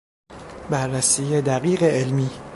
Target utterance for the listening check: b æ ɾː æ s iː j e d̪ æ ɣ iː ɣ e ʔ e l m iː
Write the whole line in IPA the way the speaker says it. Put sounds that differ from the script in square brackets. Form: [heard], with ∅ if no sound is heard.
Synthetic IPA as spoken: b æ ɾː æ s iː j e d̪ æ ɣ iː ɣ e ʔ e l m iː